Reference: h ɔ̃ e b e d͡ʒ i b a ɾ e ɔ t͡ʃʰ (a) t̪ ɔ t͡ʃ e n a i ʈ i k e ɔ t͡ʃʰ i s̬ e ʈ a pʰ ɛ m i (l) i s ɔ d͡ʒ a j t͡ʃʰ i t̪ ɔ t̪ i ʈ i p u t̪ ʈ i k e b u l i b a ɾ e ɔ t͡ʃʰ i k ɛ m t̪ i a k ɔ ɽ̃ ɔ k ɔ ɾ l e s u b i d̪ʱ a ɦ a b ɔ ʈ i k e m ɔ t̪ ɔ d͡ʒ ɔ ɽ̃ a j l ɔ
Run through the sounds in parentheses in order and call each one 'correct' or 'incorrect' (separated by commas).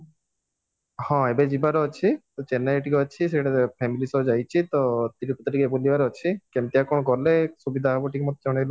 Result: incorrect, correct